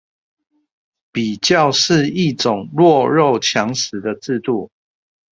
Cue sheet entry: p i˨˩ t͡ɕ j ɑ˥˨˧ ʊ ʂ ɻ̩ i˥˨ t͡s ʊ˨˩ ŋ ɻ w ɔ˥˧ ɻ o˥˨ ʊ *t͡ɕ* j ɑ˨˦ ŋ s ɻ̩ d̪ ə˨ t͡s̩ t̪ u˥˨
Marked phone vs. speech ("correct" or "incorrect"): incorrect